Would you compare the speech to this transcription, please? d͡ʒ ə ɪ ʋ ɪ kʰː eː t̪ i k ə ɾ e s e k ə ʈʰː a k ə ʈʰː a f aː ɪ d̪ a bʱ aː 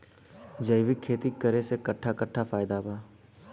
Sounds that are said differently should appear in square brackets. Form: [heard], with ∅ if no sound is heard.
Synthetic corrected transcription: d͡ʒ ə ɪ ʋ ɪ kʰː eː t̪ i k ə ɾ e s e k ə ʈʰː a k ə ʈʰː a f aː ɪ d̪ a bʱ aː